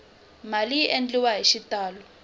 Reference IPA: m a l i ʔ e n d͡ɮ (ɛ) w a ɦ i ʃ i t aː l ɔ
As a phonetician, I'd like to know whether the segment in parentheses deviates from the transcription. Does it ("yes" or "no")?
yes